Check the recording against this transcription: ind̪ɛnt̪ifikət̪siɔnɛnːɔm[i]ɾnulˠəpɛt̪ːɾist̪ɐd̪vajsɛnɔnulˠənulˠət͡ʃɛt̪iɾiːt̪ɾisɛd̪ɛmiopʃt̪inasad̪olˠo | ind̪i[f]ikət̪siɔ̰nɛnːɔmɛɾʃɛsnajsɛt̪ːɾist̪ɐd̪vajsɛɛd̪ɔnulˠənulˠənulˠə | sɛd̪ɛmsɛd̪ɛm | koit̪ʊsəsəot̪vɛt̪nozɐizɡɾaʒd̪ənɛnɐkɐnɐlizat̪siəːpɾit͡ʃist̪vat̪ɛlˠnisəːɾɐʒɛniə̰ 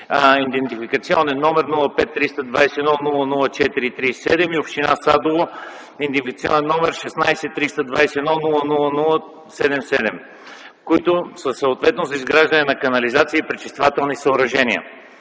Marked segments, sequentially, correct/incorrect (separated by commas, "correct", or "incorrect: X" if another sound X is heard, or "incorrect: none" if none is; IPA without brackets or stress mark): incorrect: ɛ, correct